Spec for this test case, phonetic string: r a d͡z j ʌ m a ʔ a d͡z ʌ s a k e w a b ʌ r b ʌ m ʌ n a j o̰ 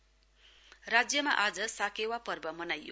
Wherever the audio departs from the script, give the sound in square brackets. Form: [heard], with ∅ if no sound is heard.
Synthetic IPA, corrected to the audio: r a d͡z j ʌ m a ʔ a d͡z ʌ s a k e w a [p] ʌ r b ʌ m ʌ n a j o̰